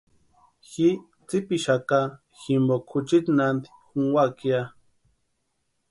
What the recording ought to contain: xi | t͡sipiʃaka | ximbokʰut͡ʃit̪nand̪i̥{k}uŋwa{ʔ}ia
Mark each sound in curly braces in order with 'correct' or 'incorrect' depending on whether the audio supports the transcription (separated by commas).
incorrect, incorrect